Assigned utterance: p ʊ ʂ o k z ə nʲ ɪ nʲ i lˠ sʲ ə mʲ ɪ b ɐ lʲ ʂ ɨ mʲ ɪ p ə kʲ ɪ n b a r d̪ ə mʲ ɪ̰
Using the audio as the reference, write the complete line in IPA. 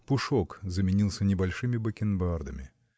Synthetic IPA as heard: p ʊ ʂ o k z ə mʲ ɪ nʲ i lˠ sʲ ə nʲ ɪ b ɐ lʲ ʂ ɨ mʲ ɪ b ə kʲ ɪ n b a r d̪ ə mʲ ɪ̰